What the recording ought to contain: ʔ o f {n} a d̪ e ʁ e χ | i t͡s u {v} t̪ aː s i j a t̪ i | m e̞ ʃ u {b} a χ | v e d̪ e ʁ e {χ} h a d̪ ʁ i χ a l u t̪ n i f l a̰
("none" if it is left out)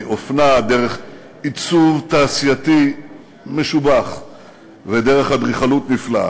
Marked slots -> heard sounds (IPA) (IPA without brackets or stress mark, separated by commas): n, v, b, χ